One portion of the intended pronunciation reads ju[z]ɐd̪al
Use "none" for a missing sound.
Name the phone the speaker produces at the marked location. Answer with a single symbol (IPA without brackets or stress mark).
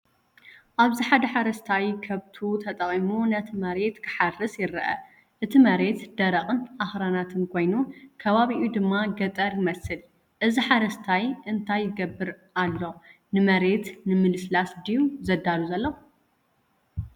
z